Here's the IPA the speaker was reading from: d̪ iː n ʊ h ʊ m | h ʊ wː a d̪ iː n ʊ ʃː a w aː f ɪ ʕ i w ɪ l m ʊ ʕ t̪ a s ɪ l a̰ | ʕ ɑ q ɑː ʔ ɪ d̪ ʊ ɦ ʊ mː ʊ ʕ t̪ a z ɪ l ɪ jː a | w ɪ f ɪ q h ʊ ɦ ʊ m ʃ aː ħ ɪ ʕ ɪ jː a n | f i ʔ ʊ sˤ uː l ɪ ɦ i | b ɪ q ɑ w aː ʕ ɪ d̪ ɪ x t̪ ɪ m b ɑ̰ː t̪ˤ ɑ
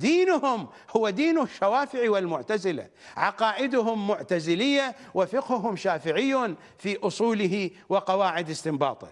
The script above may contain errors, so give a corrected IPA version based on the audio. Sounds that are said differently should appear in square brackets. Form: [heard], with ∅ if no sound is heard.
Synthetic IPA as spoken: d̪ iː n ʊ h ʊ m | h ʊ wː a d̪ iː n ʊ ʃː a w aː f ɪ ʕ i w ɪ l m ʊ ʕ t̪ a [z] ɪ l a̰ | ʕ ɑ q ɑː ʔ ɪ d̪ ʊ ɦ ʊ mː ʊ ʕ t̪ a z ɪ l ɪ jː a | w ɪ f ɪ q h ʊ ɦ ʊ m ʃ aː [f] ɪ ʕ ɪ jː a n | f i ʔ ʊ sˤ uː l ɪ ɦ i | [w] ɪ q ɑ w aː ʕ ɪ d̪ ɪ [s] t̪ ɪ m b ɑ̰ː t̪ˤ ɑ